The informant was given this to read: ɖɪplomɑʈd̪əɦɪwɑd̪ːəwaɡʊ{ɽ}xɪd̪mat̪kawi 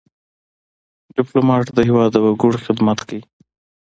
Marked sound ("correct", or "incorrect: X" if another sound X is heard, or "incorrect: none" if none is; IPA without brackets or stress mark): correct